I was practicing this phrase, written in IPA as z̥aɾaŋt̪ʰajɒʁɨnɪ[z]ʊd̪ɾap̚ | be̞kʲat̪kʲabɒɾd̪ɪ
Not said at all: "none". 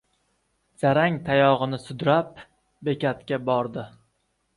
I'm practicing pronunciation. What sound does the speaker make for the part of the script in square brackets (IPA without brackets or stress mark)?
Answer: s